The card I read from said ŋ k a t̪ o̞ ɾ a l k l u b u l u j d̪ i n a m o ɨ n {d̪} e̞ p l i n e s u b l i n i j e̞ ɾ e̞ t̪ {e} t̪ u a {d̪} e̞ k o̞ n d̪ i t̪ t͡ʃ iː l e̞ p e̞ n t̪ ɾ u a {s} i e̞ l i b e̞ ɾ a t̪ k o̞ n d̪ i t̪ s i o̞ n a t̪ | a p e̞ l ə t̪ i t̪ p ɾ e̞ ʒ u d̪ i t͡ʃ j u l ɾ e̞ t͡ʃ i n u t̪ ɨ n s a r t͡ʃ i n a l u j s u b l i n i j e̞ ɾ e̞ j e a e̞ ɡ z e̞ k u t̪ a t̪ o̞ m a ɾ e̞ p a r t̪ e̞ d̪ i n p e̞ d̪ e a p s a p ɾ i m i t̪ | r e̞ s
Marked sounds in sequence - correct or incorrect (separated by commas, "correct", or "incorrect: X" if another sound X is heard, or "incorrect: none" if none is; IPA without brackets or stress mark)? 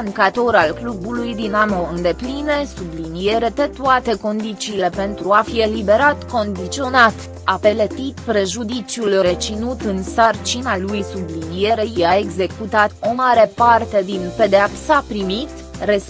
correct, correct, incorrect: t̪, incorrect: f